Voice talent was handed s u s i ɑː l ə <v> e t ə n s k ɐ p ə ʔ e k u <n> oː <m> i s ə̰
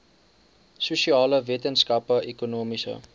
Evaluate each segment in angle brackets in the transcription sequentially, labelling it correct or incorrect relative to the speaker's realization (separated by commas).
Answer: correct, correct, correct